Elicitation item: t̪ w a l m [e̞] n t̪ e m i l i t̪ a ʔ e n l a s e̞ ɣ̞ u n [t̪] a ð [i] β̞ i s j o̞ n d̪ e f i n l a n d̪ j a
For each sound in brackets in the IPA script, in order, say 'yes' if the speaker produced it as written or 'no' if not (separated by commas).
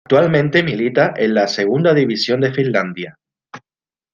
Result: no, no, yes